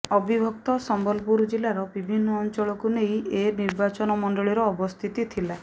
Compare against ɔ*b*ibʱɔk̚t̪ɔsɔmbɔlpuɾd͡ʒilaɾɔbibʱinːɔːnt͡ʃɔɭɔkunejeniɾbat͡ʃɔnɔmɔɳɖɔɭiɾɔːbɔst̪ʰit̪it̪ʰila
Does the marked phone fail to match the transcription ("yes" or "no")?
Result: no